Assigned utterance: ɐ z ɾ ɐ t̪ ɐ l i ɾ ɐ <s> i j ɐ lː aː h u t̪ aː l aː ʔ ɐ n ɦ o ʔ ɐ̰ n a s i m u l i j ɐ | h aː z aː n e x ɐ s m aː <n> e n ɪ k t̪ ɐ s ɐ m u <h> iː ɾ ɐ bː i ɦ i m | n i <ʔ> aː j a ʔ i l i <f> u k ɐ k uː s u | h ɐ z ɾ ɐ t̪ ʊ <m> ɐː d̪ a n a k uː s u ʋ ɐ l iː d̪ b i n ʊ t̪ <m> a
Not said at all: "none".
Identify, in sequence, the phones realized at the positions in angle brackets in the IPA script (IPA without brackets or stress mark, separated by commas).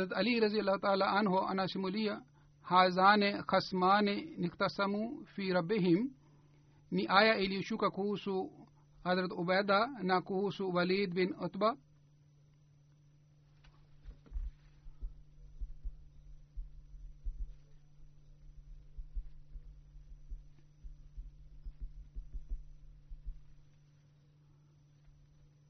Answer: z, n, f, ʔ, ʃ, b, b